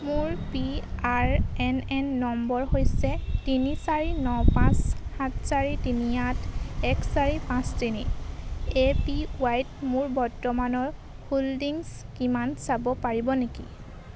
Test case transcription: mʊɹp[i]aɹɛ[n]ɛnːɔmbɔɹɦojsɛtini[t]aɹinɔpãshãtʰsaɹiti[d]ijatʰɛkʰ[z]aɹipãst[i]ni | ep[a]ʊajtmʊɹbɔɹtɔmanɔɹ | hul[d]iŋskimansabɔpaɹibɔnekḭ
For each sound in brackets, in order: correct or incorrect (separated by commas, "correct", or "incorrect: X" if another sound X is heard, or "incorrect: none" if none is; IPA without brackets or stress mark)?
correct, correct, incorrect: s, incorrect: n, incorrect: s, correct, incorrect: i, correct